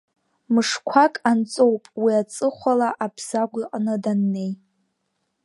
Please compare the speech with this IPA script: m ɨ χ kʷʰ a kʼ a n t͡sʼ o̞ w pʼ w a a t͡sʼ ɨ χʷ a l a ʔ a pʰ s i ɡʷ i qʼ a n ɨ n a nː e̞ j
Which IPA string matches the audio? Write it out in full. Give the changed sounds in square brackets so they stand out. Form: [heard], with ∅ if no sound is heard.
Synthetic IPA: m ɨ [ʂ] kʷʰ a kʼ a n t͡sʼ o̞ w pʼ w [i] a t͡sʼ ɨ χʷ a l a ʔ a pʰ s [a] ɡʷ i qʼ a n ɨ [d] a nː e̞ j